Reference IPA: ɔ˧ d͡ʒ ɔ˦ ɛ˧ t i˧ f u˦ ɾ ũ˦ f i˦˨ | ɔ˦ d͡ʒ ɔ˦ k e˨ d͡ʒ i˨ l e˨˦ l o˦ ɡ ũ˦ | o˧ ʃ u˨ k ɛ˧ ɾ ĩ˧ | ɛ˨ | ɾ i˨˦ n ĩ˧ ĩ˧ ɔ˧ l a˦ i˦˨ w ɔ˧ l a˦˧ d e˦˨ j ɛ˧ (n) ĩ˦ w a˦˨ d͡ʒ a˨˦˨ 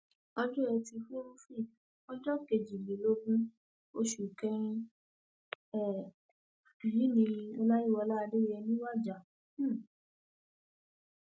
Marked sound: correct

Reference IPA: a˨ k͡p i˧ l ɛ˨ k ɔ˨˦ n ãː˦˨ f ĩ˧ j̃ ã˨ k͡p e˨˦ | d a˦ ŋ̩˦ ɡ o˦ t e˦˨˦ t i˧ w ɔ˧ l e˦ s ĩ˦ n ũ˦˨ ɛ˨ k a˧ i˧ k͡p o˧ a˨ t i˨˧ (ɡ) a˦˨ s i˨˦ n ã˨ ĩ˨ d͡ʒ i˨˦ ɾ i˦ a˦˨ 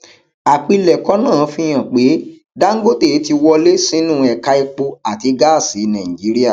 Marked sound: correct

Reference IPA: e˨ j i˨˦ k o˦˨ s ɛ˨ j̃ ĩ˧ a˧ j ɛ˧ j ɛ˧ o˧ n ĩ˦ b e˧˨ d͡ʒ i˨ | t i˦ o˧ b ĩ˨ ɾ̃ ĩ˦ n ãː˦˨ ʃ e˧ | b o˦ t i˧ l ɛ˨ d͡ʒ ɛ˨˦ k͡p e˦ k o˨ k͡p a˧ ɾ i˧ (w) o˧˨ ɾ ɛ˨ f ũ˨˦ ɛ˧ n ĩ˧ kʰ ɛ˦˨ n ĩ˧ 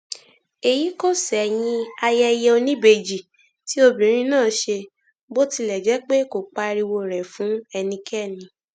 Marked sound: correct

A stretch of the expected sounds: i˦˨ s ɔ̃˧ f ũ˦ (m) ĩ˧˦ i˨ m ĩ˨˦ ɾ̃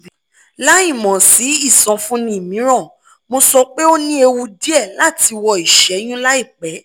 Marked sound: incorrect: n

